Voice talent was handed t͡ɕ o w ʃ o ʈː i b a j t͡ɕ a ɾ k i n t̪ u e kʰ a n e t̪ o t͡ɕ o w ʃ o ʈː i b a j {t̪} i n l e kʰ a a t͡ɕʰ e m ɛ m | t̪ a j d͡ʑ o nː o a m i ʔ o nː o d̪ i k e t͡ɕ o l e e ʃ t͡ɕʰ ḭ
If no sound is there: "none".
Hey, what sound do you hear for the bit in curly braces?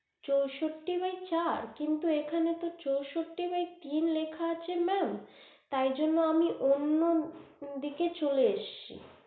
t̪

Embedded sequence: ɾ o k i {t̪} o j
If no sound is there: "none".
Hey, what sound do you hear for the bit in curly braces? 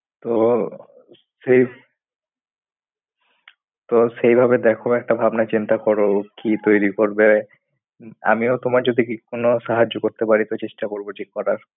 t̪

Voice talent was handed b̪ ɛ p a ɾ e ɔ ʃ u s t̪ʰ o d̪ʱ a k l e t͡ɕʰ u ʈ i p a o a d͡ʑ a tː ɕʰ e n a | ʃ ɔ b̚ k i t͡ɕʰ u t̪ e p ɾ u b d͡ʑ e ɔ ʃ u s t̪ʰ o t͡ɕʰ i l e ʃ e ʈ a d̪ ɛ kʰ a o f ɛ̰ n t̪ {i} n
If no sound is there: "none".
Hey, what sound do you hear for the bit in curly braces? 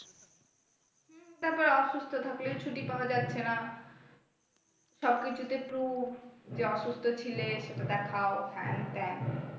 ɛ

